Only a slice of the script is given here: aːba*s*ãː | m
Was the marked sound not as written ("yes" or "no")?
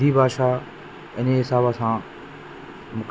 no